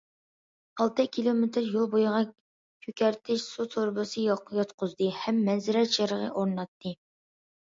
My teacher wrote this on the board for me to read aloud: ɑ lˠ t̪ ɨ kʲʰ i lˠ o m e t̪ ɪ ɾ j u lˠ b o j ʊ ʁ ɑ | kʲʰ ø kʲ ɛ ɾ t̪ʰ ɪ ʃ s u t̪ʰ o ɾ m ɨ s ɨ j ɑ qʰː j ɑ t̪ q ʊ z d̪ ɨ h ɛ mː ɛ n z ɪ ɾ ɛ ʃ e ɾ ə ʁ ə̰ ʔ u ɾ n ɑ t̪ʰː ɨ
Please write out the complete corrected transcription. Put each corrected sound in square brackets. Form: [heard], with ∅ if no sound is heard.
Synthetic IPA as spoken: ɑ lˠ t̪ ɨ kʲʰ i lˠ o m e t̪ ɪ ɾ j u lˠ b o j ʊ ʁ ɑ | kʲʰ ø kʲ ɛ ɾ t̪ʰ ɪ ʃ s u t̪ʰ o ɾ [b] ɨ s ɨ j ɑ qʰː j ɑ t̪ q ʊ z d̪ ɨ h ɛ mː ɛ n z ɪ ɾ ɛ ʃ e ɾ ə ʁ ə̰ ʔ [o] ɾ n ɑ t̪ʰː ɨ